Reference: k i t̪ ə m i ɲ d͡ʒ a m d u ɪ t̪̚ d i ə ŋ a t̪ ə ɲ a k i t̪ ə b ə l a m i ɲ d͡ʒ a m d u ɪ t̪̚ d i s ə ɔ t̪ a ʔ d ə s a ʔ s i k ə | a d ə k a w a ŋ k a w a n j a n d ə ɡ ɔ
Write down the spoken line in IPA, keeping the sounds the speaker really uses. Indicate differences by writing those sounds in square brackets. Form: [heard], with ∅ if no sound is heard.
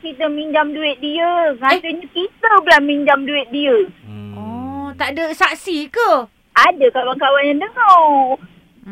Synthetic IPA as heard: k i t̪ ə m i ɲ d͡ʒ a m d u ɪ t̪̚ d i ə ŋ a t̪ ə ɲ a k i t̪ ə b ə l a m i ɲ d͡ʒ a m d u ɪ t̪̚ d i [∅] ə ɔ t̪ a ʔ d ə s a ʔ s i k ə | a d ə k a w a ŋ k a w a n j a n d ə [ŋ] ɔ